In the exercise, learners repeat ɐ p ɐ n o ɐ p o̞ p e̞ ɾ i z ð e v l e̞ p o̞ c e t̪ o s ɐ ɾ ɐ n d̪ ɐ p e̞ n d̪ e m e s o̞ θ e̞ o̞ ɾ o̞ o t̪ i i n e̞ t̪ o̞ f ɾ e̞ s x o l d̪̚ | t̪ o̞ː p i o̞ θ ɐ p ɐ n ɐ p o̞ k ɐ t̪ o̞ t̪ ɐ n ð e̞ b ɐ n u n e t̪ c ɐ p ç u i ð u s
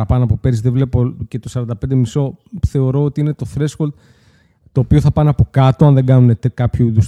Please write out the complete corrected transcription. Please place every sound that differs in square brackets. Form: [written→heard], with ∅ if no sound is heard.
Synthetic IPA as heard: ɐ p ɐ n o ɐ p o̞ p e̞ ɾ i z ð e v l e̞ p o̞ c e t̪ o s ɐ ɾ ɐ n d̪ ɐ p e̞ n d̪ e m [e→i] s o̞ θ e̞ o̞ ɾ o̞ o t̪ i i n e̞ t̪ o̞ [f→θ] ɾ e̞ s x o l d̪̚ | t̪ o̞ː p i o̞ θ ɐ p ɐ n ɐ p o̞ k ɐ t̪ o̞ [t̪→∅] ɐ n ð e̞ [b→ɡ] ɐ n u n e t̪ [c→k] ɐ p ç u i ð u s